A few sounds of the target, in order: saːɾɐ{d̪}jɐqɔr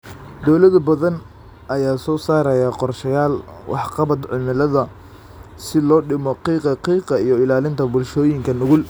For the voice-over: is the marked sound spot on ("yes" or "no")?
no